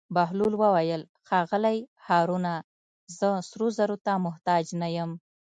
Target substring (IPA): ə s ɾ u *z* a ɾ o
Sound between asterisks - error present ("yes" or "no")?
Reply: no